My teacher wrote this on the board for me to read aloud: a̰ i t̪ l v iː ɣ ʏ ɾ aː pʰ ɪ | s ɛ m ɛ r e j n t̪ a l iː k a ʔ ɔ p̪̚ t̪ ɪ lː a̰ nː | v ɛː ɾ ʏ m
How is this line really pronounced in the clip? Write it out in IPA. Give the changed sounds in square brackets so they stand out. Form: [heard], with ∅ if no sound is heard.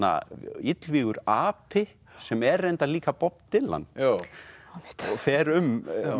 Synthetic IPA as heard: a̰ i t̪ l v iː ɣ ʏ ɾ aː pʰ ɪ | s ɛ m ɛ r e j n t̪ a l iː k a [p] ɔ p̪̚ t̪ ɪ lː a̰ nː | [f] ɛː ɾ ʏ m

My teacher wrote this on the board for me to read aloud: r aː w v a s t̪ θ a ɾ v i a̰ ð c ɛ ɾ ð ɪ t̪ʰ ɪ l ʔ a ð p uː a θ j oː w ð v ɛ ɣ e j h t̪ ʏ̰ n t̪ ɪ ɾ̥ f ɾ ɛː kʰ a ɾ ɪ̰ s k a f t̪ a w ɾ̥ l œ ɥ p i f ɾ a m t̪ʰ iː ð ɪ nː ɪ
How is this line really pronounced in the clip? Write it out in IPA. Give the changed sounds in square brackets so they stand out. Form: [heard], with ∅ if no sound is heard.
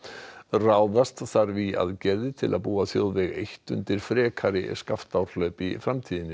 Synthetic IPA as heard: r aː w [ð] a s t̪ θ a ɾ v i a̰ ð c ɛ ɾ ð ɪ t̪ʰ ɪ l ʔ a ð p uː a θ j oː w ð v ɛ ɣ e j h t̪ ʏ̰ n t̪ ɪ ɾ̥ f ɾ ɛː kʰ a ɾ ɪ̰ s k a f t̪ a w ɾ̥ l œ ɥ p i f ɾ a m t̪ʰ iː ð ɪ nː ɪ

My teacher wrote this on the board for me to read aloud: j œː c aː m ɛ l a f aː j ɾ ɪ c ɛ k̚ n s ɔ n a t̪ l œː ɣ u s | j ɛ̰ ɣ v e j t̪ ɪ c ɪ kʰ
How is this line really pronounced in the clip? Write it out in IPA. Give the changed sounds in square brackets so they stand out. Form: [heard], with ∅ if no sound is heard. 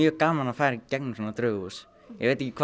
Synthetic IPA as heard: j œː [k] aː m [a] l a f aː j ɾ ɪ c ɛ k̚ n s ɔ n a t̪ [ɾ] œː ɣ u s | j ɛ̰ ɣ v e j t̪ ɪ c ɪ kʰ

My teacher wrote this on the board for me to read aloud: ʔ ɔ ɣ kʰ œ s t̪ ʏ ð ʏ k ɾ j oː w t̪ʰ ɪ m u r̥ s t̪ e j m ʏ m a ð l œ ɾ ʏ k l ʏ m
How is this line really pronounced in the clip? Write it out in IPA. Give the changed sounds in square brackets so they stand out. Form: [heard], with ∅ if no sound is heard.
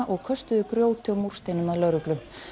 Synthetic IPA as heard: ʔ ɔ ɣ kʰ œ s t̪ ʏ ð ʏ k ɾ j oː w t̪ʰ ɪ m u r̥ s t̪ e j [n] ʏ m a ð l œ ɾ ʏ k l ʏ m

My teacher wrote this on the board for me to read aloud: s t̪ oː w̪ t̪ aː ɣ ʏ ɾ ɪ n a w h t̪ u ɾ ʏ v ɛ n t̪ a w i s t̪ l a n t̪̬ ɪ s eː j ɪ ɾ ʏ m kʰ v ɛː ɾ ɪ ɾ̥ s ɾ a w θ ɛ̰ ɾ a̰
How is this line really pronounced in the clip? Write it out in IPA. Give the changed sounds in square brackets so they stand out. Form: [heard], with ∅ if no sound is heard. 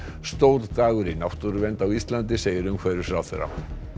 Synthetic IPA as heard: s t̪ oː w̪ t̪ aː ɣ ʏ ɾ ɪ n a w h t̪ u ɾ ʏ v ɛ n t̪ a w i s t̪ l a n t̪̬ ɪ s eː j ɪ ɾ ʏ m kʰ v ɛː ɾ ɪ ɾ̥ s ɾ a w θ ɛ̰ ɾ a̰

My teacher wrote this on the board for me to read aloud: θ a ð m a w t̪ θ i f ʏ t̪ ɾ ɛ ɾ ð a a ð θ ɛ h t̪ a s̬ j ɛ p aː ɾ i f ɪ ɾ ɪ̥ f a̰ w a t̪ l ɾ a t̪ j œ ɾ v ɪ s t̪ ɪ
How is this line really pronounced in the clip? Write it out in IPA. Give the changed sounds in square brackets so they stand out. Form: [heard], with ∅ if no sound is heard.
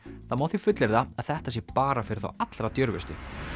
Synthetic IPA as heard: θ a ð m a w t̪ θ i f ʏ t̪ [l] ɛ ɾ ð a a ð θ ɛ h t̪ a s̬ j ɛ p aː ɾ [a] f ɪ ɾ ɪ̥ [θ] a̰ w a t̪ l ɾ a t̪ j œ ɾ v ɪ s t̪ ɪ

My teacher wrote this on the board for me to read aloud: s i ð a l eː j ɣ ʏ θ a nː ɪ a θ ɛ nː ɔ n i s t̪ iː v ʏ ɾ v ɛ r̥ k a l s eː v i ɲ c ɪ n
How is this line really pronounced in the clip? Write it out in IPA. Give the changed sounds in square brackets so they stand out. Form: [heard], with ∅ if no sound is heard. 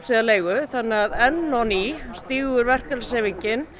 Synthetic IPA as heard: s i ð a l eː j ɣ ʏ θ a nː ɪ a [ð] ɛ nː ɔ n i s t̪ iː [ɣ] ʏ ɾ v ɛ r̥ k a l s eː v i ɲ c ɪ n

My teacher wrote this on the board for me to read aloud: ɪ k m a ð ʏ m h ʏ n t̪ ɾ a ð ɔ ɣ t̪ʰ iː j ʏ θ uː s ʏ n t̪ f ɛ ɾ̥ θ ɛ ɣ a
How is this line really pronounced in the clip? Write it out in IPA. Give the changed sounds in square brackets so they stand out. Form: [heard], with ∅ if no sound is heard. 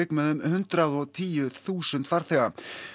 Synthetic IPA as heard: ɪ k m [ɛ] ð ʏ m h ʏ n t̪ ɾ a ð ɔ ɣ t̪ʰ iː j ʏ θ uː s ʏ n t̪ f [a] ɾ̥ θ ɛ ɣ a

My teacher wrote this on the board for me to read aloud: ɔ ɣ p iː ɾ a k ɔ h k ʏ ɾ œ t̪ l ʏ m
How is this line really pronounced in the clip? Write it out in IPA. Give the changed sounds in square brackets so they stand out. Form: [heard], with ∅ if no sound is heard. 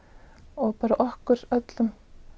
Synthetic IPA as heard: ɔ ɣ p [aː] ɾ a [ʔ] ɔ h k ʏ ɾ œ t̪ l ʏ m

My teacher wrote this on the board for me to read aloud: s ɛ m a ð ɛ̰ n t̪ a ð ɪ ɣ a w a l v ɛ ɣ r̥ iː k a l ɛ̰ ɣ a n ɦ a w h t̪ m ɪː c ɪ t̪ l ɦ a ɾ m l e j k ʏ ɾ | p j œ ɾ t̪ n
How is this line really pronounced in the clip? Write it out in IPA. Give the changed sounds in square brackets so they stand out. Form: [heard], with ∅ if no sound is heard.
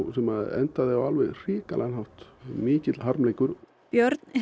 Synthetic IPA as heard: s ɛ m a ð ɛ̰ n t̪ a ð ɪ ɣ a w a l v ɛ ɣ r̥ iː k a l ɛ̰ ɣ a n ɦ a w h t̪ m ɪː c ɪ t̪ l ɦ a ɾ m l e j k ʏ ɾ | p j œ ɾ t̪ n

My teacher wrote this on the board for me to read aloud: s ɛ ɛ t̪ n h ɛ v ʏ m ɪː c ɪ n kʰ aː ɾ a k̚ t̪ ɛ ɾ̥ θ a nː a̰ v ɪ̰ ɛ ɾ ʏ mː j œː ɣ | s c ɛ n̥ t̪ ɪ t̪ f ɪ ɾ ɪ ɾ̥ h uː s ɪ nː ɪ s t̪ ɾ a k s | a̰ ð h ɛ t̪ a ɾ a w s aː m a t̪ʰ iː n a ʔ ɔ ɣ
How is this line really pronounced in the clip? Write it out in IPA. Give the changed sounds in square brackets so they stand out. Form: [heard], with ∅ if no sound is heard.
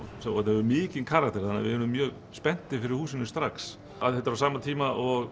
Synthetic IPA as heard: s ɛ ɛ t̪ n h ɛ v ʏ m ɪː c ɪ n kʰ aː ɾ a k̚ t̪ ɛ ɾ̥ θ a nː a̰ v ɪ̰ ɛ ɾ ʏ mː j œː ɣ | s [p] ɛ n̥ t̪ ɪ [∅] f ɪ ɾ ɪ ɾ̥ h uː s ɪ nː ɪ s t̪ ɾ a k s | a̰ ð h ɛ t̪ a ɾ a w s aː m a t̪ʰ iː [m] a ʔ ɔ ɣ

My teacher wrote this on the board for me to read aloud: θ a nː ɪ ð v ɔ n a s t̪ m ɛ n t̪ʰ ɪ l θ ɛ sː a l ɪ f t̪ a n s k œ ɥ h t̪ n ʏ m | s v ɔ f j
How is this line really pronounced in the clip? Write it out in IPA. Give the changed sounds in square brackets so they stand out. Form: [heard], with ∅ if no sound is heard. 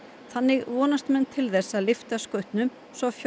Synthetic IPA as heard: θ a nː ɪ [ɣ] v [ɔː] n a s t̪ m ɛ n t̪ʰ ɪ l θ ɛ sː a l ɪ f t̪ a [∅] s k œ ɥ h t̪ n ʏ m | s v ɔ f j

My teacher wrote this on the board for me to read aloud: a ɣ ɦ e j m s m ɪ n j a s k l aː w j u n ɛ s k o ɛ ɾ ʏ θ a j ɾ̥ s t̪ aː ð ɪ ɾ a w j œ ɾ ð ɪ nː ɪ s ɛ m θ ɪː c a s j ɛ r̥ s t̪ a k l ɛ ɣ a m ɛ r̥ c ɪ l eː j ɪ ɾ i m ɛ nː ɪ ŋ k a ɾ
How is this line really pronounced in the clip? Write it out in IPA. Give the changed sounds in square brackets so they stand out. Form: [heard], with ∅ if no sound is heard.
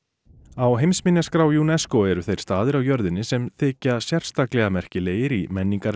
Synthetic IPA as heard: a [w] ɦ e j m s m ɪ n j a s k [ɾ] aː w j u n ɛ s k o ɛ ɾ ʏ θ [e] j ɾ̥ s t̪ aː ð ɪ ɾ a w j œ ɾ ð ɪ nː ɪ s ɛ m θ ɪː c a s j ɛ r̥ s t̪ a k l ɛ ɣ a m ɛ r̥ c ɪ l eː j ɪ ɾ i m ɛ nː [i] ŋ k a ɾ

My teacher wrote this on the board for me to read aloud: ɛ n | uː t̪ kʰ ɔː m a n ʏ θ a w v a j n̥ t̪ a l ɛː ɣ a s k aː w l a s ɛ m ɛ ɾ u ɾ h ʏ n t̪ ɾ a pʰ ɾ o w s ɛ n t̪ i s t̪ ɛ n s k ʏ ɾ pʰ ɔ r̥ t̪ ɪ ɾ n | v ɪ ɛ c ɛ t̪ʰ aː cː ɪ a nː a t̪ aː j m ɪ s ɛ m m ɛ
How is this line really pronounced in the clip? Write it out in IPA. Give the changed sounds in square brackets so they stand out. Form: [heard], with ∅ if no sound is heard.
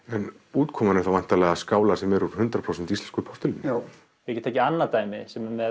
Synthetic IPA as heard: ɛ n | uː t̪ kʰ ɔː m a n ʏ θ a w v a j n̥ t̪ a l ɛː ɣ a s k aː w l a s ɛ m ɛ ɾ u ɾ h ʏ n t̪ ɾ a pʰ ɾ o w s ɛ n t̪ i s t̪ ɛ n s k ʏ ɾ pʰ ɔ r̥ t̪ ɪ [l] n | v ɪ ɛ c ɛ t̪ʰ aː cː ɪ a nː a t̪ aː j m ɪ s ɛ m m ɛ

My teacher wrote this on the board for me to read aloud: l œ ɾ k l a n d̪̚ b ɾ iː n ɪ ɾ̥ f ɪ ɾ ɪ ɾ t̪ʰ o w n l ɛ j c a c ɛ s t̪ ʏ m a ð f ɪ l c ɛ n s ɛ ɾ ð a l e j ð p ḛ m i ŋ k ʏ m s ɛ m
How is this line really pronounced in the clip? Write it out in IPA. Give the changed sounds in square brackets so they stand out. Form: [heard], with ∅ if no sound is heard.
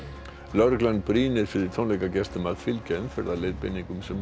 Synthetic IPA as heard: l œ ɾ k l a n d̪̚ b ɾ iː n ɪ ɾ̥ f ɪ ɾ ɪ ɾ t̪ʰ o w n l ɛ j [k] a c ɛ s t̪ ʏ m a ð f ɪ l c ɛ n [f] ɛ ɾ ð a l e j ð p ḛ [n] i ŋ k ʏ m s ɛ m

